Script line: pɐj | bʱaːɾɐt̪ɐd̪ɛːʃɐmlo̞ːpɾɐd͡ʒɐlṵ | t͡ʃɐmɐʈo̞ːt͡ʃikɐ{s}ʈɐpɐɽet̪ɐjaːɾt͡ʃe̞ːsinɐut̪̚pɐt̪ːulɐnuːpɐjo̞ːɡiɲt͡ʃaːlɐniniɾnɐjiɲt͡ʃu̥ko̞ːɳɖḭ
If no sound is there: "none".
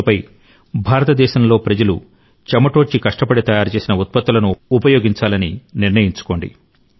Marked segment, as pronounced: ʂ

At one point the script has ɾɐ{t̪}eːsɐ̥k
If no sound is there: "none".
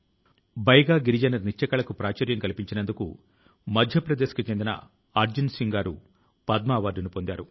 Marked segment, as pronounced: d̪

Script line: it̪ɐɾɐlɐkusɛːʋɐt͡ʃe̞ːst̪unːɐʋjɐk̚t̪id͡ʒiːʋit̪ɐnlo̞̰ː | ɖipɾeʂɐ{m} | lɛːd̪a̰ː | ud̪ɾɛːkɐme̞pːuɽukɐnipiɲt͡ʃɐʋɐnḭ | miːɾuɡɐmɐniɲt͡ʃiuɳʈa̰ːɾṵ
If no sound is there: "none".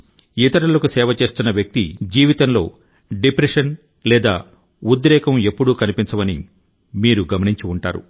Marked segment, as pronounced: n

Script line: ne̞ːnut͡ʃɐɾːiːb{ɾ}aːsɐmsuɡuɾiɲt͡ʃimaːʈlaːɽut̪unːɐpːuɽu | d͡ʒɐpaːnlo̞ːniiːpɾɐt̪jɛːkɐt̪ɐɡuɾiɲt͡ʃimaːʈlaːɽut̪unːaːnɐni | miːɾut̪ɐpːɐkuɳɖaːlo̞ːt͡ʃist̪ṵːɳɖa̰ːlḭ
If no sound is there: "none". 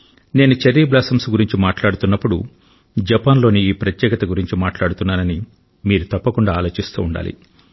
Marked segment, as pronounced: l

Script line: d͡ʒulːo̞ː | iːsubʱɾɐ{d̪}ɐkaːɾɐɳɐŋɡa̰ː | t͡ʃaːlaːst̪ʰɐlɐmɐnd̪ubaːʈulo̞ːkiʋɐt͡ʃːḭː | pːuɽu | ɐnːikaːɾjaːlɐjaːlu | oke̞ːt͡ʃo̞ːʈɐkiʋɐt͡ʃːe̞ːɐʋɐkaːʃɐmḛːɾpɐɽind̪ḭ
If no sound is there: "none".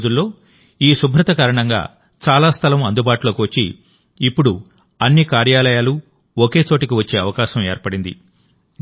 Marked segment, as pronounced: t̪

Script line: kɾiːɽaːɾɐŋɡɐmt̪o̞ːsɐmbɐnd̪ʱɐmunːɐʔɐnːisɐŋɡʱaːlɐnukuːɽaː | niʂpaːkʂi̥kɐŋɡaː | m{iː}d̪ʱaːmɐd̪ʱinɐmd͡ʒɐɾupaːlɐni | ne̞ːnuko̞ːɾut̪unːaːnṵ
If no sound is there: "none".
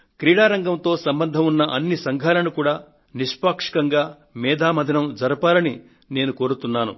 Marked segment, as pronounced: ɛː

